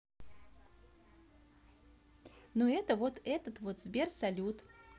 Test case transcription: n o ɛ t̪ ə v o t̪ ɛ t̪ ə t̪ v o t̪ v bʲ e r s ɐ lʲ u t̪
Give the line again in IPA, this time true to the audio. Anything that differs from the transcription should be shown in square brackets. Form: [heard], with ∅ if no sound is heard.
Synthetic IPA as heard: n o ɛ t̪ ə v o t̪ ɛ t̪ ə t̪ v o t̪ [z] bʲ e r s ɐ lʲ u t̪